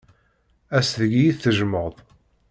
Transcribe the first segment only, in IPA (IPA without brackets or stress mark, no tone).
æ